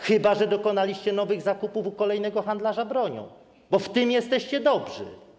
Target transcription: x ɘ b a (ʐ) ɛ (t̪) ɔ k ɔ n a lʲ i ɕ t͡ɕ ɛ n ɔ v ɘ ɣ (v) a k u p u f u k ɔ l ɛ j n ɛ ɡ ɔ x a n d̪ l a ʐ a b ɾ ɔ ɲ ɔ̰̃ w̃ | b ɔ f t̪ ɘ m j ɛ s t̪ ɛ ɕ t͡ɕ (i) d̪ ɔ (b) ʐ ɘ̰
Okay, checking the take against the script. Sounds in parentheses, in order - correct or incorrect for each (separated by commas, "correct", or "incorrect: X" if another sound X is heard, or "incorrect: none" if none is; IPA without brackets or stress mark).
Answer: correct, incorrect: d̪, incorrect: z, incorrect: ɛ, correct